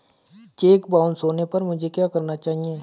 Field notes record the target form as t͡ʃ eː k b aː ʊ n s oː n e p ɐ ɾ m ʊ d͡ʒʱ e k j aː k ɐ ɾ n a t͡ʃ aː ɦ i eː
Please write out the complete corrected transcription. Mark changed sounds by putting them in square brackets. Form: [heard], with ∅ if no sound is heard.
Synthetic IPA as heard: t͡ʃ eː k b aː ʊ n s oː n e p ɐ ɾ m ʊ d͡ʒʱ e k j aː k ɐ ɾ n a t͡ʃ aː ɦ i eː